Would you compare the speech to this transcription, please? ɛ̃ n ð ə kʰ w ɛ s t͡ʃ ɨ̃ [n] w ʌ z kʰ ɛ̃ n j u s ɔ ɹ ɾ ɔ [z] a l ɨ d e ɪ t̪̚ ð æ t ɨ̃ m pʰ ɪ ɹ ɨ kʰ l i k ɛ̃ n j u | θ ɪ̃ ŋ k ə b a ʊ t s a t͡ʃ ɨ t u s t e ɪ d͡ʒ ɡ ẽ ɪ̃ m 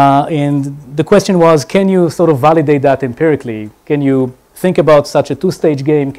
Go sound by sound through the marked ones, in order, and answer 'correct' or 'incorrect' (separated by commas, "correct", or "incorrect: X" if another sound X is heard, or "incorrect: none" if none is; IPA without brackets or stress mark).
correct, incorrect: v